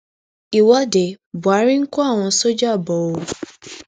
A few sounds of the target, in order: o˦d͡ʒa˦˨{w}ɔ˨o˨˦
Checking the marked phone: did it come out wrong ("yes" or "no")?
yes